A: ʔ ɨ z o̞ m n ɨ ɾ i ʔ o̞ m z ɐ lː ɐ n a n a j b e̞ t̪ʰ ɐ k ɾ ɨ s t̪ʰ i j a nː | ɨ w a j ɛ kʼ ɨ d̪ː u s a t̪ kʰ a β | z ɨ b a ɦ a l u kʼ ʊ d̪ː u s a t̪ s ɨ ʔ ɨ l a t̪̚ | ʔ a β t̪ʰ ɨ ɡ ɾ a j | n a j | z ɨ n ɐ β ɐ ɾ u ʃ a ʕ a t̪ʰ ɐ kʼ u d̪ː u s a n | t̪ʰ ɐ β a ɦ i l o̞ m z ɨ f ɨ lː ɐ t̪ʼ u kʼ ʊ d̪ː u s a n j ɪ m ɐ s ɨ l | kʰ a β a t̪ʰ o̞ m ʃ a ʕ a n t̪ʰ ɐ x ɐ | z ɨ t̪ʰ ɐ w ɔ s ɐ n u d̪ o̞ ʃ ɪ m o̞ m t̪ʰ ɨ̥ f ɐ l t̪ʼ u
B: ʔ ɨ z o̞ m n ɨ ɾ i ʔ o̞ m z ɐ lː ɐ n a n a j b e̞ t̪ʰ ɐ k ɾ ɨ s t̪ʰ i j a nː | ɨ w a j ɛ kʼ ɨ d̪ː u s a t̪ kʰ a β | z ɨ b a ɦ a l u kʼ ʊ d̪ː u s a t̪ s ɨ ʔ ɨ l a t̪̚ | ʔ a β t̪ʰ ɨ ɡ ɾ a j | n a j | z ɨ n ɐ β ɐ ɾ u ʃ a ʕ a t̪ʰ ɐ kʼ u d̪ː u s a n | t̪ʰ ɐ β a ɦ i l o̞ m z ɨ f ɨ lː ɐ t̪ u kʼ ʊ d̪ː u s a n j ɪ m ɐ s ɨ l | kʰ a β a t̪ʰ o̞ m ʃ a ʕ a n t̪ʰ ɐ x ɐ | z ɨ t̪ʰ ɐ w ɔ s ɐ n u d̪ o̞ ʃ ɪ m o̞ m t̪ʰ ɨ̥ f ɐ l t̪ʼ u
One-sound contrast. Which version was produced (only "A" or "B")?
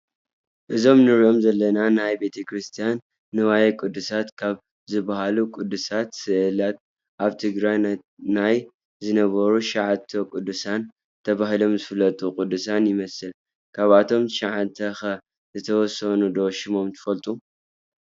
A